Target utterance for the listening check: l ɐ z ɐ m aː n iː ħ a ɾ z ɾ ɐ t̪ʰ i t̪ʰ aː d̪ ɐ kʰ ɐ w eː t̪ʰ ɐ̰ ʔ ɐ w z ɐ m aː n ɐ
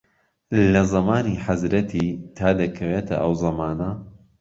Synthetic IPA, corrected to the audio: l ɐ z ɐ m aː n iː ħ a z ɾ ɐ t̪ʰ i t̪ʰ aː d̪ ɐ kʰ ɐ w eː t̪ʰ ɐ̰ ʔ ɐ w z ɐ m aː n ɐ